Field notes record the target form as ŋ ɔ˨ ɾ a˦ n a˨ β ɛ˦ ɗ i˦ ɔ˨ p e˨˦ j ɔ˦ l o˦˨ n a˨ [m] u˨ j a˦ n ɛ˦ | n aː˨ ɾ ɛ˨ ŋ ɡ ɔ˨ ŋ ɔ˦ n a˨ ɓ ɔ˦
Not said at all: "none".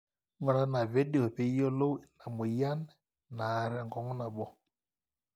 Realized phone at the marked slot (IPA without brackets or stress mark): m